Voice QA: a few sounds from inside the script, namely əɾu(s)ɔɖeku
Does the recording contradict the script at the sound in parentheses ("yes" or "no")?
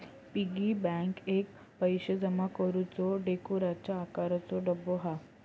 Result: yes